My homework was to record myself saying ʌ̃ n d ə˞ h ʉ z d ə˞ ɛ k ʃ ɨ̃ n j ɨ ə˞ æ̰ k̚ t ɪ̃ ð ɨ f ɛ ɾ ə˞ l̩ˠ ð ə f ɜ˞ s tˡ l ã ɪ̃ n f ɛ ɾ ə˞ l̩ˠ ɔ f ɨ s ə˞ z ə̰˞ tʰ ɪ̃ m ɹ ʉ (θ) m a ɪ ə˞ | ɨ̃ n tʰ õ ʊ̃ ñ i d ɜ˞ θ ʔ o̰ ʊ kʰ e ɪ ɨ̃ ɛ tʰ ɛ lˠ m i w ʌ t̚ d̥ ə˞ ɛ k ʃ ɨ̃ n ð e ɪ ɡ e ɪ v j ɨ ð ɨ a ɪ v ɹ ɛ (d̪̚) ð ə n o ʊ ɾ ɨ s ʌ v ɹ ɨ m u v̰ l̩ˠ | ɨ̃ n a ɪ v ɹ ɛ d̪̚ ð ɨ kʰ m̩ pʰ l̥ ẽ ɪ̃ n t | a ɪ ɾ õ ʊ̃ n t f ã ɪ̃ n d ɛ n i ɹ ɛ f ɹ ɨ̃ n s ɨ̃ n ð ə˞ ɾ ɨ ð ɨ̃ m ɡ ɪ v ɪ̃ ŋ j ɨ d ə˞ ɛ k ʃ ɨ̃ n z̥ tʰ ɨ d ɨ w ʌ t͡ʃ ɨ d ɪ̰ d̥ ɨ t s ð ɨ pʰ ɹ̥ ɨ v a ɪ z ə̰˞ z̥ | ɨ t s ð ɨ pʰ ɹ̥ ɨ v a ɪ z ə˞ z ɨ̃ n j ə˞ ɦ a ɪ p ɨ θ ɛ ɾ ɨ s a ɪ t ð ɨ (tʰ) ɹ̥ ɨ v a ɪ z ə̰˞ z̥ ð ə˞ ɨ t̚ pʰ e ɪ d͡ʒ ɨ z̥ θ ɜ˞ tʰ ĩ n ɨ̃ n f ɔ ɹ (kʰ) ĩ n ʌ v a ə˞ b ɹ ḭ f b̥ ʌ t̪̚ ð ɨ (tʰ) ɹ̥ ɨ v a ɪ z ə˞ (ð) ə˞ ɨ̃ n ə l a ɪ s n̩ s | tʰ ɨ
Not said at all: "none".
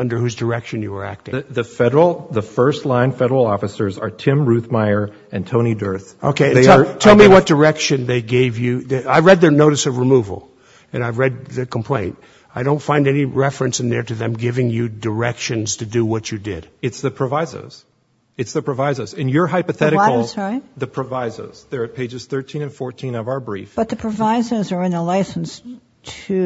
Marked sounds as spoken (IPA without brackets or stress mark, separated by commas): θ, d̪̚, pʰ, tʰ, pʰ, z